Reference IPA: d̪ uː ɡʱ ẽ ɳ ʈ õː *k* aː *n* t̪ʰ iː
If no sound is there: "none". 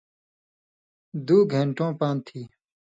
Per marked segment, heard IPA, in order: p, n

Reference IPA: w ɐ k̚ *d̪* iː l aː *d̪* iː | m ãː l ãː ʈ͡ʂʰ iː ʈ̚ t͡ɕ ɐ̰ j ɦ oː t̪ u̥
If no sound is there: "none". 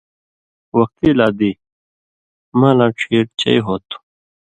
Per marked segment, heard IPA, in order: t̪, d̪

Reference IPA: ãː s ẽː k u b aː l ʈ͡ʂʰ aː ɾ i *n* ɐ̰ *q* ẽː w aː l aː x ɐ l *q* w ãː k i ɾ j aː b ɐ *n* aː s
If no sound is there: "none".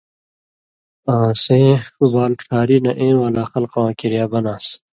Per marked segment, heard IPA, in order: n, ʔ, q, n

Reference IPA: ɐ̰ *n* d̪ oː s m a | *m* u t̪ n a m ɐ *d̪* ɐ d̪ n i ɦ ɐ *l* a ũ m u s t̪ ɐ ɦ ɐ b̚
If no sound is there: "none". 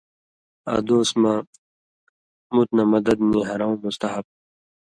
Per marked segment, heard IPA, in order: none, m, d̪, ɾ

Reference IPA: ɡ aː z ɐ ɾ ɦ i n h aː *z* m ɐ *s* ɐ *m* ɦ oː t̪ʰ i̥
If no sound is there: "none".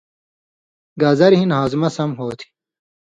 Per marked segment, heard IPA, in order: z, s, m

